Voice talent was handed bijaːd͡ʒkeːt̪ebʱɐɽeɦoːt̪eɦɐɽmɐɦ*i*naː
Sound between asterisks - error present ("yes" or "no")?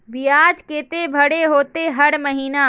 yes